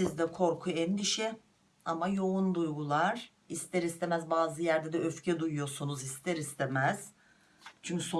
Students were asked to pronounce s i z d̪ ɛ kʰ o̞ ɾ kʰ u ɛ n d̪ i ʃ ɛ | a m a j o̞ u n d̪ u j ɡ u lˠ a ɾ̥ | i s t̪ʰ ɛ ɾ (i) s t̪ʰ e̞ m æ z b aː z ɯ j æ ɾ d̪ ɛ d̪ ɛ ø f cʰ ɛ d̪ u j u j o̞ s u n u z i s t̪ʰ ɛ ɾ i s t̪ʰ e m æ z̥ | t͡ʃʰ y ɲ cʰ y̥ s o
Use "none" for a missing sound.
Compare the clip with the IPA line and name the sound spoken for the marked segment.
i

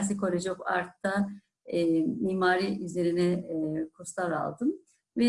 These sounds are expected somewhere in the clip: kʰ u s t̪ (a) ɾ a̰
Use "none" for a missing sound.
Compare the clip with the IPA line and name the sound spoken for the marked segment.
a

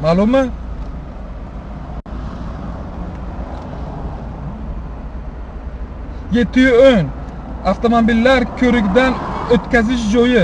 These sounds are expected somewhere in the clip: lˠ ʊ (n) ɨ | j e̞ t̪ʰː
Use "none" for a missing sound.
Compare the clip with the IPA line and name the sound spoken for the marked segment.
m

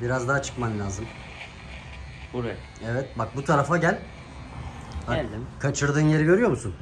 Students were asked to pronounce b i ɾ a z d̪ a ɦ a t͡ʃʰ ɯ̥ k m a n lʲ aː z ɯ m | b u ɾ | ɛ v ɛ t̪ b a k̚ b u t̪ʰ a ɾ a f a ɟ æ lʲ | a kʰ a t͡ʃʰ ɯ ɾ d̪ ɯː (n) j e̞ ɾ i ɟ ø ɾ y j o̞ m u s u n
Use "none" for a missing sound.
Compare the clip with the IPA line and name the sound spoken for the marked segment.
n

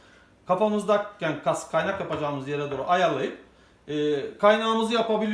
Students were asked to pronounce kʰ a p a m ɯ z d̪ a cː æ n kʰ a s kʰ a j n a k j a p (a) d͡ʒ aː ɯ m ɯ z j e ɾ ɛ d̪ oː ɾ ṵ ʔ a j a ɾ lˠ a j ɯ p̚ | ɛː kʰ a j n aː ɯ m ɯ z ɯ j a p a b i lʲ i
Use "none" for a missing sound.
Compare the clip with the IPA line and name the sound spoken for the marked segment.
a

